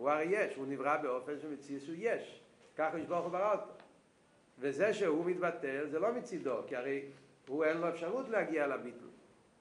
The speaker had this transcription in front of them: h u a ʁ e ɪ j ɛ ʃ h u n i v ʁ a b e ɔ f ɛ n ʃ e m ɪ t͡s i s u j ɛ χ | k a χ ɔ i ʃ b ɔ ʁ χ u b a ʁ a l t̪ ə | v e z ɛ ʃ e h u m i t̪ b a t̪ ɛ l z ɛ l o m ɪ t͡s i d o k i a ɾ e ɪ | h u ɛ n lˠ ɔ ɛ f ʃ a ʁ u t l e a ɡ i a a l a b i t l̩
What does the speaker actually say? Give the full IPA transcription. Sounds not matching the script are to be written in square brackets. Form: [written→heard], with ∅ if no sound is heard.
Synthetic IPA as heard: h u a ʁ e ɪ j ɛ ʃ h u n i v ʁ a b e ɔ f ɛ n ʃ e m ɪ t͡s i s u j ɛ [χ→ʃ] | k a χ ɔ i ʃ b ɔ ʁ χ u b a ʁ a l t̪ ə | v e z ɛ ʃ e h u m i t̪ b a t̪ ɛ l z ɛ l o m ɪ t͡s i d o k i a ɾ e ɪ | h u ɛ n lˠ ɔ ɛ f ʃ a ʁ u t l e a ɡ i a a l a b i t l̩